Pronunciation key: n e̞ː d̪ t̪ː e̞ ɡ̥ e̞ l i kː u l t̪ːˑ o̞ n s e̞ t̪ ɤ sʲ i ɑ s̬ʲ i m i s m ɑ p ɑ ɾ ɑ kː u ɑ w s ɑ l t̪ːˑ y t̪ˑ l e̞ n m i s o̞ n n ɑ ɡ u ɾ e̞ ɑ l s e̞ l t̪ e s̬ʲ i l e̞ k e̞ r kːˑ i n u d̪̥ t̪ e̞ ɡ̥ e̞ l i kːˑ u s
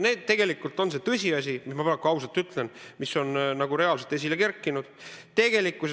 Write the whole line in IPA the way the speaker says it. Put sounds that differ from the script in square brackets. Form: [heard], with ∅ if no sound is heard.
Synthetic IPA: n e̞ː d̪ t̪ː e̞ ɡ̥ e̞ l i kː u l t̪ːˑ o̞ n s e̞ t̪ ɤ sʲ i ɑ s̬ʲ i m i s m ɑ p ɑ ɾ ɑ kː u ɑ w s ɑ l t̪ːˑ y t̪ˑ l e̞ n m i s o̞ n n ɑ ɡ u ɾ e̞ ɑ l s e̞ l t̪ e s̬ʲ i l e̞ k e̞ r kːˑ i n u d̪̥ t̪ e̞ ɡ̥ e̞ l i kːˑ u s